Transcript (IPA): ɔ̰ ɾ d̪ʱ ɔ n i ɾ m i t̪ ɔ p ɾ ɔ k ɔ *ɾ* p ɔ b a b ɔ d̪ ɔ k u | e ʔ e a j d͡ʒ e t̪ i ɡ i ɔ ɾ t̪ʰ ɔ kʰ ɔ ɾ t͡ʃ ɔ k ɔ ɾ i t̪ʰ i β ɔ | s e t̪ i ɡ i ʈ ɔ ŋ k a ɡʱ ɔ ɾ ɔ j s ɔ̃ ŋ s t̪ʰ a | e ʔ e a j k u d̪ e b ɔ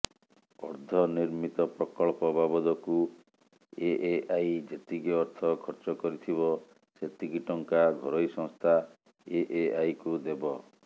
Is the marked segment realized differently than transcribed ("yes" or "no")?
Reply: yes